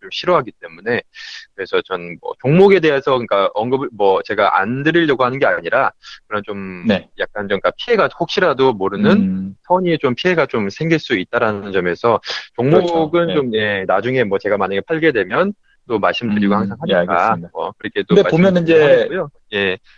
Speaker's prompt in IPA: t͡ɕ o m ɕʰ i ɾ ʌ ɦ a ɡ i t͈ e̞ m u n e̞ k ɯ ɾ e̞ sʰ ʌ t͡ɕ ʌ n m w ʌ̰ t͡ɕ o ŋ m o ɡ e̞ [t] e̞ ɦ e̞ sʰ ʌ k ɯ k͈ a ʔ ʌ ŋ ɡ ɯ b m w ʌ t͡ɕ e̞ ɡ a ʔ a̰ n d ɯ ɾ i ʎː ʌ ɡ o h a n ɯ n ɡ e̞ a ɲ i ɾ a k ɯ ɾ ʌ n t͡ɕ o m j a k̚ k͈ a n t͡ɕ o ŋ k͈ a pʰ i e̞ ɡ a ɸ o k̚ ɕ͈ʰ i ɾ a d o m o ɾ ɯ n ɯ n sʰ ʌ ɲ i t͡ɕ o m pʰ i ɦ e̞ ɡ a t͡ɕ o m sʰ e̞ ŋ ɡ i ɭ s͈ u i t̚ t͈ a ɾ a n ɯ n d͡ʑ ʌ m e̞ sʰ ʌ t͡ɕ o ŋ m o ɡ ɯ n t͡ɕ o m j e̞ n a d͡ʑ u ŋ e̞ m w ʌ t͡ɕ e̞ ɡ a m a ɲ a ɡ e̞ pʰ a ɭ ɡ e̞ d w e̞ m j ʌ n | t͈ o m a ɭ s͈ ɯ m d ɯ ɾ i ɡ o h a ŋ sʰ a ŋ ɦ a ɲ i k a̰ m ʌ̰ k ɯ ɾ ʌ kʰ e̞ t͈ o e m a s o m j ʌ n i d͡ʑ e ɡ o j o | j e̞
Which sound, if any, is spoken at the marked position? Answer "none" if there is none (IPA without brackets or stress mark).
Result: d